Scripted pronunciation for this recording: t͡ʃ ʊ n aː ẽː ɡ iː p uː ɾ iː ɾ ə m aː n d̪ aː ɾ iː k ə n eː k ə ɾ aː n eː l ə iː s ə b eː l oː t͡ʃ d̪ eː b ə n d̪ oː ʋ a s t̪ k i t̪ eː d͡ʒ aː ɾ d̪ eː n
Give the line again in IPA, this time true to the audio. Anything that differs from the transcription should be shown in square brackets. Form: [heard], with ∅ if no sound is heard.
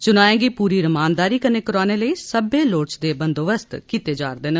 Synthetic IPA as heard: t͡ʃ ʊ n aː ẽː ɡ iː p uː ɾ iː ɾ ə m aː n d̪ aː ɾ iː k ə n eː k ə ɾ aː n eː l ə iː s ə b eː l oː t͡ʃ d̪ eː b ə n d̪ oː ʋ [ə] s t̪ k i t̪ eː d͡ʒ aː ɾ d̪ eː n